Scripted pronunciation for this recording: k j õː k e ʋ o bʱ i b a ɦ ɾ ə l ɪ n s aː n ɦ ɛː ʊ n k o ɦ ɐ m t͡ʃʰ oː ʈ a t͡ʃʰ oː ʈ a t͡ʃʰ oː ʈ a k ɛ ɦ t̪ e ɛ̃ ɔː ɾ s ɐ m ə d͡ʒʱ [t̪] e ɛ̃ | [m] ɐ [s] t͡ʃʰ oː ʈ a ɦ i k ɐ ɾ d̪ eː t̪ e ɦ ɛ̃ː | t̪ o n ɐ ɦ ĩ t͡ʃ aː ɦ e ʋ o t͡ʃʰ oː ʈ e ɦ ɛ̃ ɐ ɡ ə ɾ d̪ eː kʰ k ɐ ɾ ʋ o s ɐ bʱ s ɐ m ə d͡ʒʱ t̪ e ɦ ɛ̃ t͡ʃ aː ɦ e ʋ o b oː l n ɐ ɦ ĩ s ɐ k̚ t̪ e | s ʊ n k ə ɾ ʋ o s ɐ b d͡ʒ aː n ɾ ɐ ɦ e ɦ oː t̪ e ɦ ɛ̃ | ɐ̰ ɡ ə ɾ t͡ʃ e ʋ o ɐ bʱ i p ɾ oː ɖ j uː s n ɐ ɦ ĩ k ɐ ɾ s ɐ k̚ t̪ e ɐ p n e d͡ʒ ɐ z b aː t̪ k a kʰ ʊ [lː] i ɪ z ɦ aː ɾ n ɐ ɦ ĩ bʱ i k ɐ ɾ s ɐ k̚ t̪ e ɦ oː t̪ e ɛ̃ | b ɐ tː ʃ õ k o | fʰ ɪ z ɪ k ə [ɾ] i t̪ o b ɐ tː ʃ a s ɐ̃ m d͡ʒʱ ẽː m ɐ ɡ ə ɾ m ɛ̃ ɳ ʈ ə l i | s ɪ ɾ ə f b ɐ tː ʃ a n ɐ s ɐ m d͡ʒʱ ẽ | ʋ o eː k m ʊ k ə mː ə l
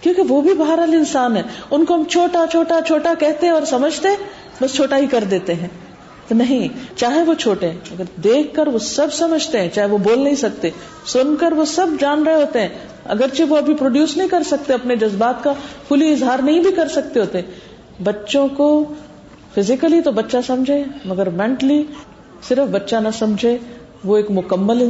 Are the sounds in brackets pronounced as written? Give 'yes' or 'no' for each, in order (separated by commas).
yes, no, yes, no, no